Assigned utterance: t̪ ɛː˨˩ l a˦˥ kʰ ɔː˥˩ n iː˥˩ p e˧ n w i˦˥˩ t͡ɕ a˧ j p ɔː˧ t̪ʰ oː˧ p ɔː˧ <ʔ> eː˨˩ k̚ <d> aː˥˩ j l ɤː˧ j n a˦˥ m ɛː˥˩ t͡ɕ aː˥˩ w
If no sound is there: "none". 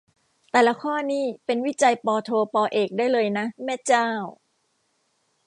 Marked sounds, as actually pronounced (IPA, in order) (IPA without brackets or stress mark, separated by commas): ʔ, d